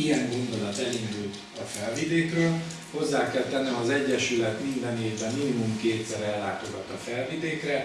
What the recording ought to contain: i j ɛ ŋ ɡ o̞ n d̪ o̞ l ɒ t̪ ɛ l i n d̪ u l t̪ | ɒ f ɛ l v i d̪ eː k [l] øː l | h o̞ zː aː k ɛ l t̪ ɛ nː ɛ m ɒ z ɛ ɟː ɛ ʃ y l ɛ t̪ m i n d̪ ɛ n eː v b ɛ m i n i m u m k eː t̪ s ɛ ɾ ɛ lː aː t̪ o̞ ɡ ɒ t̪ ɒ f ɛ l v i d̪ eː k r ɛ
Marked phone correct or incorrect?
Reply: incorrect: r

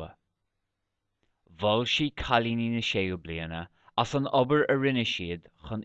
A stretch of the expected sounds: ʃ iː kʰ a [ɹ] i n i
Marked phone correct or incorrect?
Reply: incorrect: l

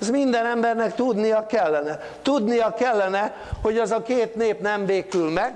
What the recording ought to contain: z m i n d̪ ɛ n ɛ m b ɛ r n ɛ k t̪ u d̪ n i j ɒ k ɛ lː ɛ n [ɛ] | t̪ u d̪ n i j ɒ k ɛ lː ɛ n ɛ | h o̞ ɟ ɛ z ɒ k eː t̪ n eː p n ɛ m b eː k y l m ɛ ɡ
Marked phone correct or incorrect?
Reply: correct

